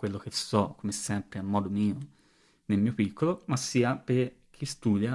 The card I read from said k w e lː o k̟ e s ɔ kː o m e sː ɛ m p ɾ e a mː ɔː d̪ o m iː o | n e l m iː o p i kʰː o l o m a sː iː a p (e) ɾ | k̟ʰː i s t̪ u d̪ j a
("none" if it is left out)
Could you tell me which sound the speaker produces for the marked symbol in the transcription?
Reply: e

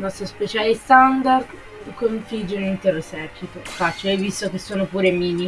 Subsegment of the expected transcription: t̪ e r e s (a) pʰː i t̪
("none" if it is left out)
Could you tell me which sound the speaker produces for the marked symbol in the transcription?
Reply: ɛ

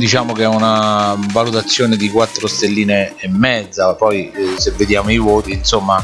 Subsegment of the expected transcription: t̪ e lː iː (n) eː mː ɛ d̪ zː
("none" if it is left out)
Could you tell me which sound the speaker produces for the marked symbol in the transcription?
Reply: n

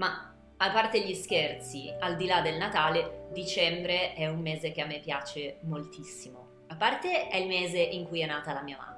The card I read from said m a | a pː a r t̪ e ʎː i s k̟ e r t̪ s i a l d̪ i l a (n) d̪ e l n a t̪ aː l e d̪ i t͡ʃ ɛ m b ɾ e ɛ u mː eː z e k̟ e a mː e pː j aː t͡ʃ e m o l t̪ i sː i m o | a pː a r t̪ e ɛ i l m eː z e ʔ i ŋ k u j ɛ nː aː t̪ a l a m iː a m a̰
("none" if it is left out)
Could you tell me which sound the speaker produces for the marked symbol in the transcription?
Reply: none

